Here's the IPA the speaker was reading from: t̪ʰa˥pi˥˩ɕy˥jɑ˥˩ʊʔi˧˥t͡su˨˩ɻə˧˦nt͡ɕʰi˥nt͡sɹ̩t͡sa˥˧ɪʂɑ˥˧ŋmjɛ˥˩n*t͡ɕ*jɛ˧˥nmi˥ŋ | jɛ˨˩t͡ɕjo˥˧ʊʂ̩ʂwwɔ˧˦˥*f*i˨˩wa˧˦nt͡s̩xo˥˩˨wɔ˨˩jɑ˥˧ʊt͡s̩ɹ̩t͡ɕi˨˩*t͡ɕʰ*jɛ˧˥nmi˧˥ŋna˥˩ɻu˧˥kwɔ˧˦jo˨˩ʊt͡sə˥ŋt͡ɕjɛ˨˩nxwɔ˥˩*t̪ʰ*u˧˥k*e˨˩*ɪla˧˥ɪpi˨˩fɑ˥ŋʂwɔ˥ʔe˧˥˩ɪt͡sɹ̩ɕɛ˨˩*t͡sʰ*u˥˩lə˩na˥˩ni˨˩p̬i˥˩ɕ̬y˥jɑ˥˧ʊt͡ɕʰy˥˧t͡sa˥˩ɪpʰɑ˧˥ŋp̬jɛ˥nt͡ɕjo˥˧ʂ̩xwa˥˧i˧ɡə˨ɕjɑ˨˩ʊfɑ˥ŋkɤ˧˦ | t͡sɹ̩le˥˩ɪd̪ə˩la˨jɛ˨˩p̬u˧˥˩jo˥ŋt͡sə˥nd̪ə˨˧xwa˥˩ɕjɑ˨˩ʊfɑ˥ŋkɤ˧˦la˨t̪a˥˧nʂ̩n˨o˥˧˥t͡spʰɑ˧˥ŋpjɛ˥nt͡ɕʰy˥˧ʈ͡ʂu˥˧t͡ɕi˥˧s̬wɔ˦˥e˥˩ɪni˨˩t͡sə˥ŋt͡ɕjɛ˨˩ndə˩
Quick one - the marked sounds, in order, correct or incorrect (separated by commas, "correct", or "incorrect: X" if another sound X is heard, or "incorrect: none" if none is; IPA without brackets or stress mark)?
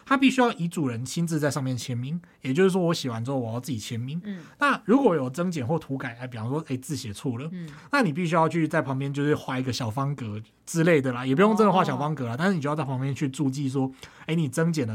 incorrect: t͡ɕʰ, incorrect: ɕ, correct, correct, incorrect: a˨˩, correct